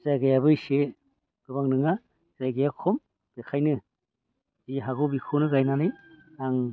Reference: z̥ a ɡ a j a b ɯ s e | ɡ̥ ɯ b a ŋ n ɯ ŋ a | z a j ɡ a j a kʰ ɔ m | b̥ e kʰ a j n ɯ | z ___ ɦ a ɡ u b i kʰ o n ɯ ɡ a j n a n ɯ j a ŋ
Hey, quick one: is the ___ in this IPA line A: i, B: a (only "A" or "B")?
A